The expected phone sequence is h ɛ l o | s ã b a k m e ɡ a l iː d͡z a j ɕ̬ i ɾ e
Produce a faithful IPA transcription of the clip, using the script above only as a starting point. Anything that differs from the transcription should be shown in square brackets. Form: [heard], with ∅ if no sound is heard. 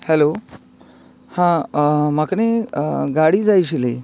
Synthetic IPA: h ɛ l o | [h] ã [m] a k [n] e ɡ a [ɽ] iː d͡z a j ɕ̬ i [l] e